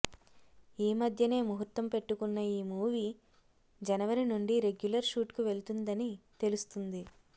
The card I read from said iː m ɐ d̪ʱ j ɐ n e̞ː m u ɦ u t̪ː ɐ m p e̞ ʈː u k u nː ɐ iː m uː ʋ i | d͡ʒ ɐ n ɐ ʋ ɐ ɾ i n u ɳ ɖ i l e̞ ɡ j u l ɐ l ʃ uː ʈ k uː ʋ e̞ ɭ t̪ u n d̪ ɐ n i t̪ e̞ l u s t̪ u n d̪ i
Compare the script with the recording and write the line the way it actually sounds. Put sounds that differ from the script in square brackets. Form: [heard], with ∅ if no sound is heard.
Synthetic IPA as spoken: iː m ɐ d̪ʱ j ɐ n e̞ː m u ɦ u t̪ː ɐ m p e̞ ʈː u k u nː ɐ iː m uː ʋ i | d͡ʒ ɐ n ɐ ʋ ɐ ɾ i n u ɳ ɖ i [ɾ] e̞ ɡ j u l ɐ [ɾ] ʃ uː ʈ k [u] ʋ e̞ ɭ t̪ u n d̪ ɐ n i t̪ e̞ l u s t̪ u n d̪ i